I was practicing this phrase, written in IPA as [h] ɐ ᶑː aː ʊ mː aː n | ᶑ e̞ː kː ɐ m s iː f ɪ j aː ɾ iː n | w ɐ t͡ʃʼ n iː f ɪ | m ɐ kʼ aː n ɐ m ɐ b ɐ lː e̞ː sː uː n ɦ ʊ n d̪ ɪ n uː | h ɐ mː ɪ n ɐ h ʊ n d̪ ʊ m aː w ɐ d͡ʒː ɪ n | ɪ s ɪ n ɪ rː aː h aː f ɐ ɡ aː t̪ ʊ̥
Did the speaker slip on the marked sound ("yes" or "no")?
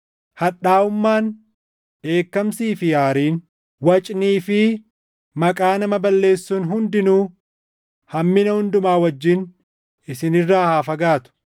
no